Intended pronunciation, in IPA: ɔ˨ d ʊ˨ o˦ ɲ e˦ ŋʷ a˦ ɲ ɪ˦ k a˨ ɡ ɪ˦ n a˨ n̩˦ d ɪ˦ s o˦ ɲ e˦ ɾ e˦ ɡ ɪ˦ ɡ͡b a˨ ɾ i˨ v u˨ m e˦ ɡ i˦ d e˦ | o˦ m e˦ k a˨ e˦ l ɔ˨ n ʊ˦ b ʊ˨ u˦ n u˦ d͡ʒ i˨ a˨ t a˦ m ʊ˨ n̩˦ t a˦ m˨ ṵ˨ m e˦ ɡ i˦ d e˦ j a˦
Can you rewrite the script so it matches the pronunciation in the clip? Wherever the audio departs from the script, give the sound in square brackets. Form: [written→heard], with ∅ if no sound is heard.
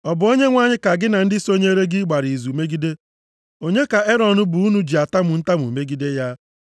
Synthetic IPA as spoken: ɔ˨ [d→b] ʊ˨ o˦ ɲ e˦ ŋʷ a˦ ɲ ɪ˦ k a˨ ɡ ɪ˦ n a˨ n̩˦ d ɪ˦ s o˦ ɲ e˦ ɾ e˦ ɡ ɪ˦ ɡ͡b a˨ ɾ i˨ [v→z] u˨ m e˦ ɡ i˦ d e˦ | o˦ [m→ɲ] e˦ k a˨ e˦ [l→ɾ] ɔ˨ n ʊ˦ b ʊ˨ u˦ n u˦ d͡ʒ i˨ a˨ t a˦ m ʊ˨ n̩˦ t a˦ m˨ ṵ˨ m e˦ ɡ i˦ d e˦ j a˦